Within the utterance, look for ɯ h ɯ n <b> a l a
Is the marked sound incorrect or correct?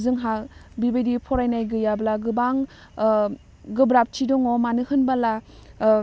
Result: correct